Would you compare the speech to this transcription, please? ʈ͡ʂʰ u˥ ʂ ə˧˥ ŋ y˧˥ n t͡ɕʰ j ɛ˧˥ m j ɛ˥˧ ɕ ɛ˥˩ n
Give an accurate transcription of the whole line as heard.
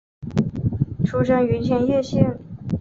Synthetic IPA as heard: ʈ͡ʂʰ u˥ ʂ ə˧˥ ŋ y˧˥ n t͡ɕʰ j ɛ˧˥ n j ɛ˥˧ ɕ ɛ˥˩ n